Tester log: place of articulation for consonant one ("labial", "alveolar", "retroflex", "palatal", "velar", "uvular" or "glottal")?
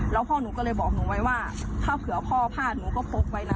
alveolar